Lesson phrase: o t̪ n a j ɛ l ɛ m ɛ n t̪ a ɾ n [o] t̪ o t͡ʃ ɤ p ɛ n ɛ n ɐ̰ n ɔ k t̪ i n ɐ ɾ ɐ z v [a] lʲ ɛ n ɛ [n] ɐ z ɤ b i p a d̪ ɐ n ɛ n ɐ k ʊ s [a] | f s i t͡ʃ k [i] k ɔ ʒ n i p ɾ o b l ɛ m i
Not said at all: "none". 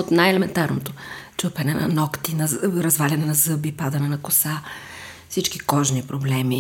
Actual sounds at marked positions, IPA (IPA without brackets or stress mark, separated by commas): o, a, n, a, i